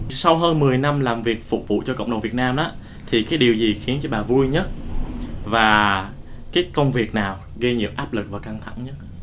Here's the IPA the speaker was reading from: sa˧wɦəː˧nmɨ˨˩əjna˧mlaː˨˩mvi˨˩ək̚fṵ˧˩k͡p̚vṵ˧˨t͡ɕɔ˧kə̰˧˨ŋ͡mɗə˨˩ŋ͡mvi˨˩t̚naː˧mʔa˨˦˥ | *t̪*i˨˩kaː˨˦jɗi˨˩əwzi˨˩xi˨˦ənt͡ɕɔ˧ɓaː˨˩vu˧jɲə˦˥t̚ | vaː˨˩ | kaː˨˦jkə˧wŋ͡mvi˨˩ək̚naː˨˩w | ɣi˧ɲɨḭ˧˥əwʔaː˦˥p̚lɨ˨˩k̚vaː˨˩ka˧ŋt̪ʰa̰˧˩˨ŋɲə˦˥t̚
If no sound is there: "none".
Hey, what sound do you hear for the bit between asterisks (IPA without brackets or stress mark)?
t̪ʰ